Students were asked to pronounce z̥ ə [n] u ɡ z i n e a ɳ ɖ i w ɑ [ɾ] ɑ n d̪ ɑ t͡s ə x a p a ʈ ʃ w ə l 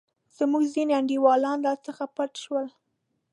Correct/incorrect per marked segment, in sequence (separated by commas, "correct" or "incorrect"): incorrect, incorrect